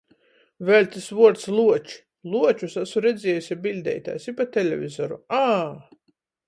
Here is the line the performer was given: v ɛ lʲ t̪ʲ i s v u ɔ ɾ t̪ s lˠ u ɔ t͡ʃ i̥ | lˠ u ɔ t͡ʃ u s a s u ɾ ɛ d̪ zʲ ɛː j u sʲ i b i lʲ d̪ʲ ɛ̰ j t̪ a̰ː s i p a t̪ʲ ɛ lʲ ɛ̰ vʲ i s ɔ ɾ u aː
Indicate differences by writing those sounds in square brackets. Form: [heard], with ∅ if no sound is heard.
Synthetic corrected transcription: v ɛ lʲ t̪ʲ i s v u ɔ ɾ t̪ s lˠ u ɔ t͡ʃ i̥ | lˠ u ɔ t͡ʃ u s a s u ɾ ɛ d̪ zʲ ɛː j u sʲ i b i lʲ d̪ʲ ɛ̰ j t̪ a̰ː s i p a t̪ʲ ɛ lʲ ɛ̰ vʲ i [z] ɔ ɾ u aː